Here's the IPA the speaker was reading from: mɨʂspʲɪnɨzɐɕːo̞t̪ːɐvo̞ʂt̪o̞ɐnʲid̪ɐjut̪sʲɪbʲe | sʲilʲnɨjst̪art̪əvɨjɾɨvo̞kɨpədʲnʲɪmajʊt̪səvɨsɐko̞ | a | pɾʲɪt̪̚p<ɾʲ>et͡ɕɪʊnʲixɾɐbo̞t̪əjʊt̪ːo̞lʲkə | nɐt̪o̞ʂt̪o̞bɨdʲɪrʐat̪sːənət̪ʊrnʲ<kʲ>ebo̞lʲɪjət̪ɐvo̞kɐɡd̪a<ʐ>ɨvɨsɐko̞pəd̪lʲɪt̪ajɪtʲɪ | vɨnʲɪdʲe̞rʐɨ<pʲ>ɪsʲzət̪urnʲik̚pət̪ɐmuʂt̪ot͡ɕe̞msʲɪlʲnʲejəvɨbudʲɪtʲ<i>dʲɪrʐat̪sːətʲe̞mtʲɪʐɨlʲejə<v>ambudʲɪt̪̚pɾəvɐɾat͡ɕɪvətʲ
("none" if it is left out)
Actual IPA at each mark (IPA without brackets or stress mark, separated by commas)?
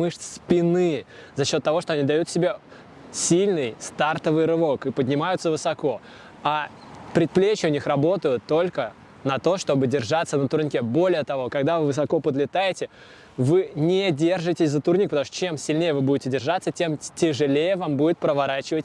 lʲ, kʲ, v, tʲ, ɪ, v